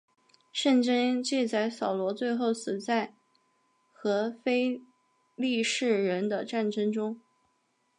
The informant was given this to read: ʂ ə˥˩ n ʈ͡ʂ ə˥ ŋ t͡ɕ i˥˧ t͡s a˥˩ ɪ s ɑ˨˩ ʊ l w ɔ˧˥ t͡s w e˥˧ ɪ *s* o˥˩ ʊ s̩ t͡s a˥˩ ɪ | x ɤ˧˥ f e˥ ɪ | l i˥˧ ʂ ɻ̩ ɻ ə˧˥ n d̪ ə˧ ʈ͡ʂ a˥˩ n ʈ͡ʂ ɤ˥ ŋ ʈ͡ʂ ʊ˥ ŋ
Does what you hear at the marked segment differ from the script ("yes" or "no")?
yes